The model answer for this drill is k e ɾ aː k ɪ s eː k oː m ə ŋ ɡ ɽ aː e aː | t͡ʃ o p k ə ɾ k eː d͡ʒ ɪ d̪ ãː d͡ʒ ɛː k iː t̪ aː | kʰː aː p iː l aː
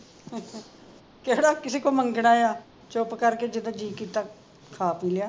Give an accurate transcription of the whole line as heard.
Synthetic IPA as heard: k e ɽ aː k ɪ s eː k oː m ə ŋ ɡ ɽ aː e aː | t͡ʃ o p k ə ɾ k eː d͡ʒ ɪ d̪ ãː d͡ʒ iː k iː t̪ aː | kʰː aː p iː l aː